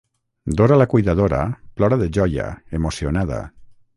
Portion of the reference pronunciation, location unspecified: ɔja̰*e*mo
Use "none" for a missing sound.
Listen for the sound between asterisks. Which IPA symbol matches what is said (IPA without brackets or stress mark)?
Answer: e